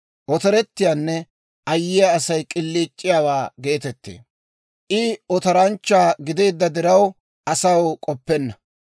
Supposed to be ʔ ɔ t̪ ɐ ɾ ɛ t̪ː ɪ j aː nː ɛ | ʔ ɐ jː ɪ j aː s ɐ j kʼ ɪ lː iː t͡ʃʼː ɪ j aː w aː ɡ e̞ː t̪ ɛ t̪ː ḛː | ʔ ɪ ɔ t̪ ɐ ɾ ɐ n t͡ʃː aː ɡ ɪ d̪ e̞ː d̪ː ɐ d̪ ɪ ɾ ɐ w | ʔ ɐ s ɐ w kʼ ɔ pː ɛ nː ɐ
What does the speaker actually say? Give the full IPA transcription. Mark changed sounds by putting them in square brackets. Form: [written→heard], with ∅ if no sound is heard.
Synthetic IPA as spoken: ʔ ɔ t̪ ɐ ɾ ɛ t̪ː ɪ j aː nː ɛ | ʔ ɐ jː ɪ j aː s ɐ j kʼ ɪ lː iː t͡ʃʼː ɪ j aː w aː ɡ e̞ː t̪ ɛ t̪ː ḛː | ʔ ɪ ɔ t̪ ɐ ɾ ɐ n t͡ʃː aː ɡ ɪ d̪ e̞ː d̪ː ɐ d̪ ɪ ɾ ɐ w | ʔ ɐ s ɐ w kʼ ɔ pː ɛ nː ɐ